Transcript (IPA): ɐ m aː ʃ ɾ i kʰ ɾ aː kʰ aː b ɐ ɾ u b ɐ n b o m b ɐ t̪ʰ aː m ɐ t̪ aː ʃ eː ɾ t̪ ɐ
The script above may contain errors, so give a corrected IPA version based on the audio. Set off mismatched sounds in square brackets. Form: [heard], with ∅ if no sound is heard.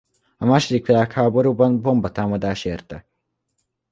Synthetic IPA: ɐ m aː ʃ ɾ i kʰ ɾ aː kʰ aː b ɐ ɾ u b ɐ n b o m b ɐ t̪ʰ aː m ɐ [d̪] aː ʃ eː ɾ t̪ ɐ